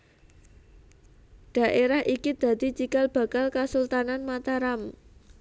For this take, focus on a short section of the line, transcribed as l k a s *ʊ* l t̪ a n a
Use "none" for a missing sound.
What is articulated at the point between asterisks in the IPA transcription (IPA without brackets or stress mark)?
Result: u